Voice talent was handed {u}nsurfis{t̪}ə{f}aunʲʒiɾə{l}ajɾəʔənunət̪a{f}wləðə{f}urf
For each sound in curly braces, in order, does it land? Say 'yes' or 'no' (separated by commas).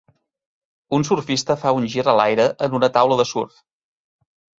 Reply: yes, yes, yes, yes, no, no